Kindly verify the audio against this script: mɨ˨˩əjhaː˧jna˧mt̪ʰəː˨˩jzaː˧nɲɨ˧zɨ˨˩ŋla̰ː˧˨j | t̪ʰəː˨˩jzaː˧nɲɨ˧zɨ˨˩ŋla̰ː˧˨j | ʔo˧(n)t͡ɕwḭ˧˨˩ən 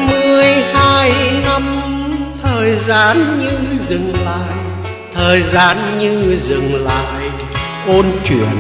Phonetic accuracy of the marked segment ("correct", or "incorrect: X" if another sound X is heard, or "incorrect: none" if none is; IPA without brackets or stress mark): correct